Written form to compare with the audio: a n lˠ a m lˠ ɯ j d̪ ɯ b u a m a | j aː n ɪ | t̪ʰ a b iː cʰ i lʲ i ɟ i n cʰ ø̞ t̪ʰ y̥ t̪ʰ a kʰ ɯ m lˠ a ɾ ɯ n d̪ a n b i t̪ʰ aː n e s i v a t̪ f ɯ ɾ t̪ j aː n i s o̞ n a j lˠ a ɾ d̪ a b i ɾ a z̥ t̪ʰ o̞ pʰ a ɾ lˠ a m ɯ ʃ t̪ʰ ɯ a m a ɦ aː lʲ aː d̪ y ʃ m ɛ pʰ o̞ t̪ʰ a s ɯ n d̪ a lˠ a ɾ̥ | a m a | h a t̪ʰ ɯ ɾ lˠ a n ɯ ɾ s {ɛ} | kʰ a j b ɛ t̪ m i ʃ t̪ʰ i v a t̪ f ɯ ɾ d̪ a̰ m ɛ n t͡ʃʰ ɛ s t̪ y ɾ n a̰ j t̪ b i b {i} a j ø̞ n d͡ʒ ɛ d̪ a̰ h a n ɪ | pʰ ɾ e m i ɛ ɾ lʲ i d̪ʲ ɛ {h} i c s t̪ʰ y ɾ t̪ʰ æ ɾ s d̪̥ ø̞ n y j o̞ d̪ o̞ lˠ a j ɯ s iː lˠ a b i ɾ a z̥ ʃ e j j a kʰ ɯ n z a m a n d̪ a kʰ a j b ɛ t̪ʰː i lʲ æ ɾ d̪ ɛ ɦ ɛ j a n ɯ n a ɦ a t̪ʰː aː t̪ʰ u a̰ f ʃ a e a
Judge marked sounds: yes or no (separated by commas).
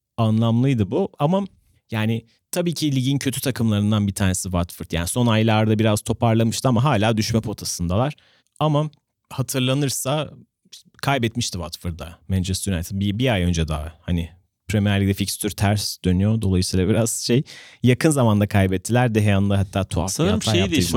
no, yes, no